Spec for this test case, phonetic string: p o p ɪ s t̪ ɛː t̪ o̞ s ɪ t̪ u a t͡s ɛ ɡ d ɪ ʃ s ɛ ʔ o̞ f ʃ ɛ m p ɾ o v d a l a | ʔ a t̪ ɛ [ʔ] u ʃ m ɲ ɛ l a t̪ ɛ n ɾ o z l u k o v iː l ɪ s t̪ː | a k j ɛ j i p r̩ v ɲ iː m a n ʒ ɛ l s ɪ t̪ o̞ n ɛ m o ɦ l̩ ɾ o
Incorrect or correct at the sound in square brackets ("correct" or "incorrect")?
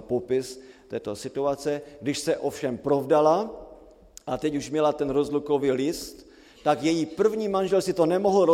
incorrect